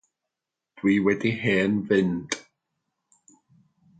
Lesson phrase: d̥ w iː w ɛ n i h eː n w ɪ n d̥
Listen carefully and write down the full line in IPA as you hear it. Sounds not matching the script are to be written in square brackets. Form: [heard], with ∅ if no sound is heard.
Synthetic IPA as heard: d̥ w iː w ɛ [d] i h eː n [v] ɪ n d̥